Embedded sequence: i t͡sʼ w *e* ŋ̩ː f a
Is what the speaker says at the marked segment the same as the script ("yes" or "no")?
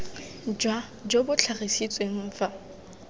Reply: yes